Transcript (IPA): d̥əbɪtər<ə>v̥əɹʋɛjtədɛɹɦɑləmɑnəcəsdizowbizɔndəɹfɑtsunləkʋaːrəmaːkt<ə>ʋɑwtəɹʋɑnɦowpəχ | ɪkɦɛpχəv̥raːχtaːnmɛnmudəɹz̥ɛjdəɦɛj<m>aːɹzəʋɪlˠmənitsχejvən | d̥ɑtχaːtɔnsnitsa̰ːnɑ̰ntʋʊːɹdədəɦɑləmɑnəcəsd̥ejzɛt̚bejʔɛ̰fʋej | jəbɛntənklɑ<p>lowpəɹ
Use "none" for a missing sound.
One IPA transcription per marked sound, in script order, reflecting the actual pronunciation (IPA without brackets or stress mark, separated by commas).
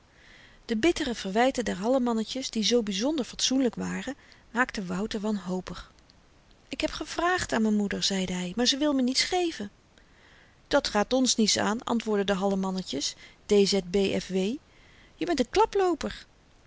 ə, ə, m, p